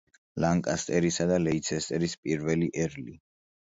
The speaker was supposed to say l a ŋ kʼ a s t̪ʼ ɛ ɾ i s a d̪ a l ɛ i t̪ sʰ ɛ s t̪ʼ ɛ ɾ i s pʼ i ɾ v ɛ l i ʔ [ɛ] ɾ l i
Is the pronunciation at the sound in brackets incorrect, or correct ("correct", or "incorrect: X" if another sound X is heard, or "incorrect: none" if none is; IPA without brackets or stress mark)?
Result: correct